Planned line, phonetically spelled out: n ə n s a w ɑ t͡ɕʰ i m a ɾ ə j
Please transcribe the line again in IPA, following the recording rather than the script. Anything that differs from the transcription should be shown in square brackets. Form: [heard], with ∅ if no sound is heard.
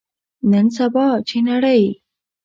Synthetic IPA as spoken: n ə n s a [b] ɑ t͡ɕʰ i [n] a [ɽ] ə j